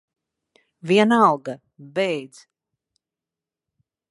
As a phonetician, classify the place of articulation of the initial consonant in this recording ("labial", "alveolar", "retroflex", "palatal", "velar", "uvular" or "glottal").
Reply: labial